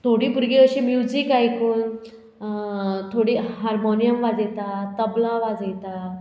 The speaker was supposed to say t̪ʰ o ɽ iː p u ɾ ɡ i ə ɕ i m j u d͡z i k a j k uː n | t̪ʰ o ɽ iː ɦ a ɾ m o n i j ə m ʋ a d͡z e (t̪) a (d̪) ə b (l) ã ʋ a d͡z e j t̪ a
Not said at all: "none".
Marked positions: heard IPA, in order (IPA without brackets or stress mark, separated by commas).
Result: t̪, t̪, l